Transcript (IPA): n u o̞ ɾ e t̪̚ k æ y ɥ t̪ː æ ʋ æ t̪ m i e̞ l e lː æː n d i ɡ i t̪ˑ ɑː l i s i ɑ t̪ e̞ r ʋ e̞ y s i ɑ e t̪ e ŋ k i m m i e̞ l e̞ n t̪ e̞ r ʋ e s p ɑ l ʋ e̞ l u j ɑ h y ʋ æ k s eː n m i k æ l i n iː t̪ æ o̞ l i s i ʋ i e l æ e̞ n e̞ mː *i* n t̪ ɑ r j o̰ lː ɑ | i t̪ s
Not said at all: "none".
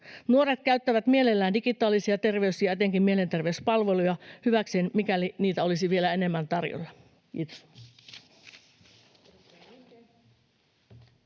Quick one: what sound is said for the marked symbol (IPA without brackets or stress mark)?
æ